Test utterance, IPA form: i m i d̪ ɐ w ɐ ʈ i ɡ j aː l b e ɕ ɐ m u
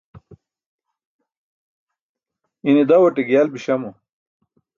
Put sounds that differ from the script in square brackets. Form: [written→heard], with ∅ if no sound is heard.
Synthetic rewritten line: i [m→n] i d̪ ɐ w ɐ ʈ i ɡ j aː l b [e→i] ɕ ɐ m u